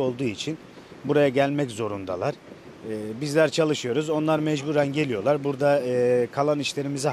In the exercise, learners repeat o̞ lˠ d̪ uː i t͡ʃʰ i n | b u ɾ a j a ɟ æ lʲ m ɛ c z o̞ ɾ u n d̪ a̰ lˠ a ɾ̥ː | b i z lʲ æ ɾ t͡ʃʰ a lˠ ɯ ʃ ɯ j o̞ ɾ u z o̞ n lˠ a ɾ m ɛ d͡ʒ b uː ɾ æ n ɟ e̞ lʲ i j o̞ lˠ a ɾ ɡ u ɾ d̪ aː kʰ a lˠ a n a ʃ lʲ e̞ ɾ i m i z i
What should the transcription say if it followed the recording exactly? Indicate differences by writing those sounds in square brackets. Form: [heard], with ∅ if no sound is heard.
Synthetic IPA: o̞ lˠ d̪ uː i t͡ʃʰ i n | b u ɾ a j a ɟ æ lʲ m ɛ c z o̞ ɾ u n d̪ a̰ lˠ a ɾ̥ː | b i z lʲ æ ɾ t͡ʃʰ a lˠ ɯ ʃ ɯ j o̞ ɾ u z o̞ n lˠ a ɾ m ɛ d͡ʒ b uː ɾ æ n ɟ e̞ lʲ i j o̞ lˠ a ɾ [b] u ɾ d̪ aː kʰ a lˠ a n [i] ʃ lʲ e̞ ɾ i m i z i